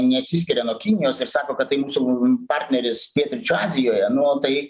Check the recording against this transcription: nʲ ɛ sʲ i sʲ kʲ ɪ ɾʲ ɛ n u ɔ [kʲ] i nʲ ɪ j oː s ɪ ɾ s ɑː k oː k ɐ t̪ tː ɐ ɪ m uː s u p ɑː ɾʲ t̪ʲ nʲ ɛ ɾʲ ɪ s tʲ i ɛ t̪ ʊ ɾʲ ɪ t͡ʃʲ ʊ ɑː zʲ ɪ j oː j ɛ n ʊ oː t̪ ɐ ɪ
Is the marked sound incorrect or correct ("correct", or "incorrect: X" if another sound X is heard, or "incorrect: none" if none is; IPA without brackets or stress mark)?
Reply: correct